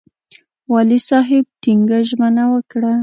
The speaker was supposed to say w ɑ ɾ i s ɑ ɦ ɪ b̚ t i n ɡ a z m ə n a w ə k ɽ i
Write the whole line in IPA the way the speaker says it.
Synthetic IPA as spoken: w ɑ l i s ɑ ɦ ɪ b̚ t i ŋ ɡ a ʒ m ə n a w ə k ɽ a